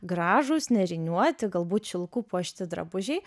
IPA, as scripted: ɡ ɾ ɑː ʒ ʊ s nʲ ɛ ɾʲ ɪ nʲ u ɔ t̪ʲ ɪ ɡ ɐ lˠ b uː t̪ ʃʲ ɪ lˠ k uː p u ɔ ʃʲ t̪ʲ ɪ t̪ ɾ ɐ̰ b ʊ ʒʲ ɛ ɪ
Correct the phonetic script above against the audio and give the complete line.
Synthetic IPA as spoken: ɡ ɾ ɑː ʒ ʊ s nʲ ɛ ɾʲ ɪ nʲ u ɔ t̪ʲ ɪ ɡ ɐ lˠ b uː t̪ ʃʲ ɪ lˠ k uː p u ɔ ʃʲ t̪ʲ ɪ d̪ ɾ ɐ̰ b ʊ ʒʲ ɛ ɪ